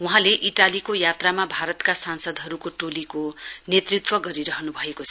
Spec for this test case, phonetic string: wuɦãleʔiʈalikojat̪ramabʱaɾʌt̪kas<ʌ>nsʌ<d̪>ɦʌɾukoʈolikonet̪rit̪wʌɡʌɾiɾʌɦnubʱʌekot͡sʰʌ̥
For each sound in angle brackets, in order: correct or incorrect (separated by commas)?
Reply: incorrect, correct